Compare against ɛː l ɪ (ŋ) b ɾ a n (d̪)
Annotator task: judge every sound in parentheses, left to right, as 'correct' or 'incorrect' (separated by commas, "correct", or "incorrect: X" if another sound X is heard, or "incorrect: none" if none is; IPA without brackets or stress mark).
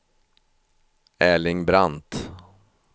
correct, incorrect: t̪